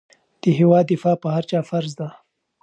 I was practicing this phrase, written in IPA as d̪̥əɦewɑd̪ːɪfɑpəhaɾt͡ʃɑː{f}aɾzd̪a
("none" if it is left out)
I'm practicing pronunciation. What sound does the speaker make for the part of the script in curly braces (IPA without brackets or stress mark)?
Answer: f